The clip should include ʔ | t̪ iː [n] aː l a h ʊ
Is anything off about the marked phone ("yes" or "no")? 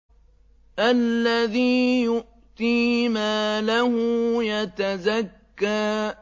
yes